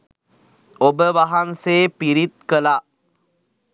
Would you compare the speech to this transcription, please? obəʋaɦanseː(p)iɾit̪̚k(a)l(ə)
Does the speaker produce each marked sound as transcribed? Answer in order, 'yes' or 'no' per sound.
yes, no, no

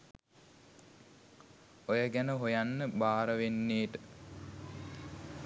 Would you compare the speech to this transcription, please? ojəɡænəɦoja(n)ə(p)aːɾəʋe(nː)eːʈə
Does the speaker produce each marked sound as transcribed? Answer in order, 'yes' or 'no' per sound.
no, no, yes

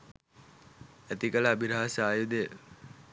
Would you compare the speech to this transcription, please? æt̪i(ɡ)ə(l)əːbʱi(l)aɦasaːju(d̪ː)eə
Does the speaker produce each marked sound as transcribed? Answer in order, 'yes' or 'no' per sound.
no, yes, no, no

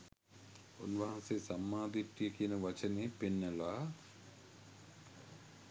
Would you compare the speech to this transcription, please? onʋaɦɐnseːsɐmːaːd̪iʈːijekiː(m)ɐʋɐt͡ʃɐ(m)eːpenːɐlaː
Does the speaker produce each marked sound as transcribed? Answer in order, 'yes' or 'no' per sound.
no, no

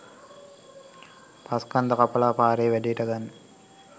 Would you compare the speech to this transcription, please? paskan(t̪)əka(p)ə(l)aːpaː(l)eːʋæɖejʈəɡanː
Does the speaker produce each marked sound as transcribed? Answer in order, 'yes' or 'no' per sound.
no, yes, yes, no

